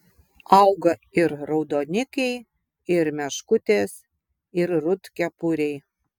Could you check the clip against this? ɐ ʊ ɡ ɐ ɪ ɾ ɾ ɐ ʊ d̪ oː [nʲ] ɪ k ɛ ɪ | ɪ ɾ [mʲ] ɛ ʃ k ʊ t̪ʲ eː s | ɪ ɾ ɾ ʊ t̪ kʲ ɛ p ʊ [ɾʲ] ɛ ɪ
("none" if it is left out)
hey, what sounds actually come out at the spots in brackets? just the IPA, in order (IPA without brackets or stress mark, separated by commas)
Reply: nʲ, mʲ, ɾʲ